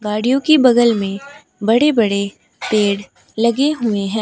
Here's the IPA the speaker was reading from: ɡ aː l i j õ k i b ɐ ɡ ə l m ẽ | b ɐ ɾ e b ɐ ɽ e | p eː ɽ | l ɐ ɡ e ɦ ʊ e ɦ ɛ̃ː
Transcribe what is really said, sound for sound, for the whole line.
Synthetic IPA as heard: ɡ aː ɽ i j õ k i b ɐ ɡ ə l m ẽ | b ɐ ɽ e b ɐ ɽ e | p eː ɽ | l ɐ ɡ e ɦ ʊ e ɦ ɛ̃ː